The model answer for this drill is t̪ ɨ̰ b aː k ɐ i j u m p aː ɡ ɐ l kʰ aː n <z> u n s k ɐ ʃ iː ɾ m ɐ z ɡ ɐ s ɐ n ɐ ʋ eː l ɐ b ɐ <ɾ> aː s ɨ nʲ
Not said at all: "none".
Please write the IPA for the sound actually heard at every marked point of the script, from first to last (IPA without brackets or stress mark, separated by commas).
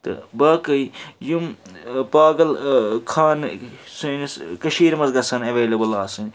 s, l